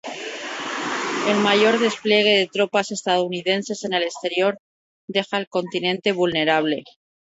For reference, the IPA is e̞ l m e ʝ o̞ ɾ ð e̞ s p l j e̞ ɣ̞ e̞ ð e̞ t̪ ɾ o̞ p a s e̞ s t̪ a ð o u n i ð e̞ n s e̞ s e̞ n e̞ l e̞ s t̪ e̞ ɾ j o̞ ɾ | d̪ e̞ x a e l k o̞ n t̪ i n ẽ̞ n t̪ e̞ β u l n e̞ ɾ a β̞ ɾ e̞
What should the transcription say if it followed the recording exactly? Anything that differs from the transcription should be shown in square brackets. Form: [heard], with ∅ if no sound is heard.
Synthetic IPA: e̞ l m [a] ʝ o̞ ɾ ð e̞ s p l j e̞ ɣ̞ e̞ ð e̞ t̪ ɾ o̞ p a s e̞ s t̪ a ð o u n i ð e̞ n s e̞ s e̞ n e̞ l e̞ s t̪ e̞ ɾ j o̞ ɾ | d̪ e̞ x a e l k o̞ n t̪ i n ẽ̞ n t̪ e̞ β u l n e̞ ɾ a β̞ [l] e̞